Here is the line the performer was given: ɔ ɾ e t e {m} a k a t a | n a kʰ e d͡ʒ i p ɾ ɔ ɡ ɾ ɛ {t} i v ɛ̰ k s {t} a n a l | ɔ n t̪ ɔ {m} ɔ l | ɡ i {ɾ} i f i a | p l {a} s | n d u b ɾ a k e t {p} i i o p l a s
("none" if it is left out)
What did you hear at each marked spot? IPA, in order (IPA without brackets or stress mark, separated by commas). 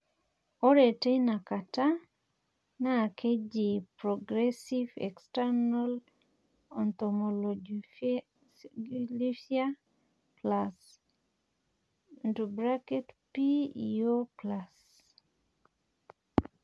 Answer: n, s, t, m, l, a, p